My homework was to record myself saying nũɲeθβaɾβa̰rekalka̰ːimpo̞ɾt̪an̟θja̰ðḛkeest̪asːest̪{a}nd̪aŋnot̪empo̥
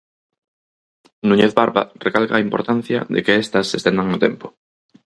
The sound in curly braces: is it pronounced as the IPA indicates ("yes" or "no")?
no